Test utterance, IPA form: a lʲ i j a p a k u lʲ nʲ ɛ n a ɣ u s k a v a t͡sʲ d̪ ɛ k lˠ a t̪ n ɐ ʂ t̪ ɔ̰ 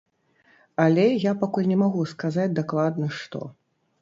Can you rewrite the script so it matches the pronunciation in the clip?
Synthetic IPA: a lʲ ɛ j a p a k u lʲ nʲ ɛ m a ɣ u s k a z a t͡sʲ d̪ a k lˠ a d̪ n ɐ ʂ t̪ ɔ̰